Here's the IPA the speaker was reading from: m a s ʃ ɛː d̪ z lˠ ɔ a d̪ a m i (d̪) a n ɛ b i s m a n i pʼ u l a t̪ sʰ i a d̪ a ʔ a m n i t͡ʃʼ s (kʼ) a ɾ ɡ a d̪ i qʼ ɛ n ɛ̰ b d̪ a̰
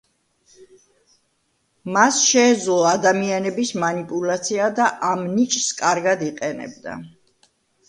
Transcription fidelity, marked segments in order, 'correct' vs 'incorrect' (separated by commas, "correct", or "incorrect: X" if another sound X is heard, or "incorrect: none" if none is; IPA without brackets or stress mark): incorrect: none, correct